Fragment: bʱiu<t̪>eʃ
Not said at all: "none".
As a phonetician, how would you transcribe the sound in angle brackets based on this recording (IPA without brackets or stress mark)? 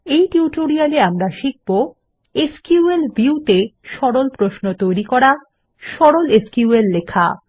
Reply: t̪